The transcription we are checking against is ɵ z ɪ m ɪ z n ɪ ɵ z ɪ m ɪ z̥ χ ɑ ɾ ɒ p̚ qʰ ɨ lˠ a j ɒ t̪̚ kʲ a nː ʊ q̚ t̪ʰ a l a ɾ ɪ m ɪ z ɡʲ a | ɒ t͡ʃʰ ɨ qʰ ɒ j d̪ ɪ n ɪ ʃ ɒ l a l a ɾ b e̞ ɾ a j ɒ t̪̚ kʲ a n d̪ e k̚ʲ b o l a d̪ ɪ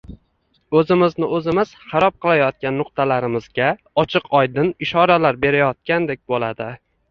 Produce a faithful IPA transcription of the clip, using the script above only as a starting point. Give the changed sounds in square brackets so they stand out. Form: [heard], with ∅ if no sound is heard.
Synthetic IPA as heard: ɵ z ɪ m ɪ z n ɪ ɵ z ɪ m ɪ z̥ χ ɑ ɾ ɒ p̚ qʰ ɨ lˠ a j ɒ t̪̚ kʲ a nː ʊ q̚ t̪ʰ a l a ɾ ɪ m ɪ z ɡʲ a | ɒ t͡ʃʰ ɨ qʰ ɒ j d̪ ɪ n ɪ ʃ ɒ [ɾ] a l a ɾ b e̞ ɾ a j ɒ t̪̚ kʲ a n d̪ e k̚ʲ b o l a d̪ ɪ